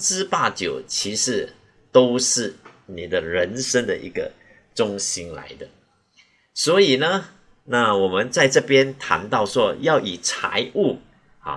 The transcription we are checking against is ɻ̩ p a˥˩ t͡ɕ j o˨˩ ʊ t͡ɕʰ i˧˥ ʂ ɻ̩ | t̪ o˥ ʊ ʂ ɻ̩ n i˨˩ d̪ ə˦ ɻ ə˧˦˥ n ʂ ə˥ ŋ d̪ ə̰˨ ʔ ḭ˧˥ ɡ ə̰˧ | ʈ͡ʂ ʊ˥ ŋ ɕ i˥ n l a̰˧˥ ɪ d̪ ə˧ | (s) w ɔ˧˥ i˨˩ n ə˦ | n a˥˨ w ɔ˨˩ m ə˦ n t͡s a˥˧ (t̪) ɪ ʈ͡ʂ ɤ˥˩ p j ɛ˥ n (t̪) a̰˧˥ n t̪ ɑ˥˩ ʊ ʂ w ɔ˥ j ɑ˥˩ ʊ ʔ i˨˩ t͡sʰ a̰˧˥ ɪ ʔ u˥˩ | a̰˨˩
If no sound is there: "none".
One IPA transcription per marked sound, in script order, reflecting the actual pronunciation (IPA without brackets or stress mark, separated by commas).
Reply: s, none, t̪ʰ